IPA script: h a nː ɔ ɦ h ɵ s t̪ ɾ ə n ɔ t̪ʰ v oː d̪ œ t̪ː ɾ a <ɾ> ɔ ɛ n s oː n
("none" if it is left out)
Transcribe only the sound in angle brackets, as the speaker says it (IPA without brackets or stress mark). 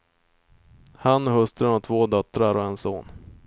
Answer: ɾ